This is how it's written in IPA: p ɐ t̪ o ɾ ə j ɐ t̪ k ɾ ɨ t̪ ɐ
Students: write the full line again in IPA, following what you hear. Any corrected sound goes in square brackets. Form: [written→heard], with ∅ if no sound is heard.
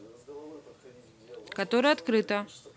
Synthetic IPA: [p→k] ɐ t̪ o ɾ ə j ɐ t̪ k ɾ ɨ t̪ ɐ

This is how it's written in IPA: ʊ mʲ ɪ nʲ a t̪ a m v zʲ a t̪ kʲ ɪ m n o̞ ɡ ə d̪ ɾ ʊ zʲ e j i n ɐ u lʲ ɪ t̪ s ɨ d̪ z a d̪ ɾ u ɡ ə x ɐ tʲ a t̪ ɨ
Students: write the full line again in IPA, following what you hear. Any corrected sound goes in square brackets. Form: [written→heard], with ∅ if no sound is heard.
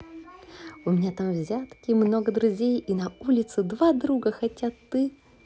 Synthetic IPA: ʊ mʲ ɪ nʲ a t̪ a m v zʲ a t̪ kʲ ɪ m n o̞ ɡ ə d̪ ɾ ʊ zʲ e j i n ɐ u lʲ ɪ t̪ s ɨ d̪ [z→v] a d̪ ɾ u ɡ ə x ɐ tʲ a t̪ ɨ

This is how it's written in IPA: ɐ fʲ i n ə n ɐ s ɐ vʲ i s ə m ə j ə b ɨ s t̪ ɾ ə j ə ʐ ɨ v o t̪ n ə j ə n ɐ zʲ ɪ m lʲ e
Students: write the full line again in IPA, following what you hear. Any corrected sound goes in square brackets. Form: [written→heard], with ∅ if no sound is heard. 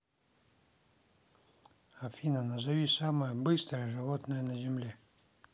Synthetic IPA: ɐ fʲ i n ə n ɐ [s→z] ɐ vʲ i s [ə→a] m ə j ə b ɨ s t̪ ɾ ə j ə ʐ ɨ v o t̪ n ə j ə n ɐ zʲ ɪ m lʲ e

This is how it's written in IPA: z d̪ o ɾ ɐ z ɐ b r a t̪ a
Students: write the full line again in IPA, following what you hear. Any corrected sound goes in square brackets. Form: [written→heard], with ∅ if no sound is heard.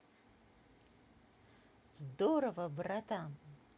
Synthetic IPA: z d̪ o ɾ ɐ [z→v] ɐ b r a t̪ a

